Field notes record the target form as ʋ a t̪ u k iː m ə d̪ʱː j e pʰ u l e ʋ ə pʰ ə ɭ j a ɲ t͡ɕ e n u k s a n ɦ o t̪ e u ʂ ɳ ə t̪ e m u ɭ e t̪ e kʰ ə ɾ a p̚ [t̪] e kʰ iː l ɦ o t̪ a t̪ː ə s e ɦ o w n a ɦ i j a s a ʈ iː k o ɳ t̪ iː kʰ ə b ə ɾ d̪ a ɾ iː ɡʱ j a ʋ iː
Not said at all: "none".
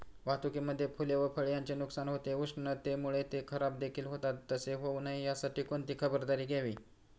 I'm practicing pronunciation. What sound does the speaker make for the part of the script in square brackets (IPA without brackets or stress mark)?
d̪